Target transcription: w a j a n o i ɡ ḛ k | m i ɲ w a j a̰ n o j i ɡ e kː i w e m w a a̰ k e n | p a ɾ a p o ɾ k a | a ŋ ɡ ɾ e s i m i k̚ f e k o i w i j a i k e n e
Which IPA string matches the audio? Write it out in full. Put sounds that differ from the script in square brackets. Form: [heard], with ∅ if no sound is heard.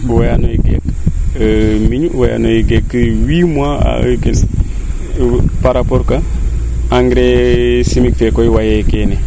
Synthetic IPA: w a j a n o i ɡ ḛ k | m i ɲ w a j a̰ n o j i ɡ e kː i w [i] m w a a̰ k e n | p a ɾ a p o ɾ k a | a ŋ ɡ ɾ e s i m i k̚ f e k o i w [a] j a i k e n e